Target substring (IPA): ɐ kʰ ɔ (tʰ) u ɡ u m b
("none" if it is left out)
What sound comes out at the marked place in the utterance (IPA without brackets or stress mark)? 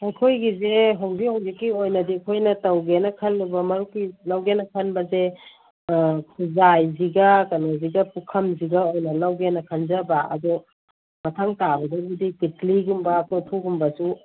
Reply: tʰ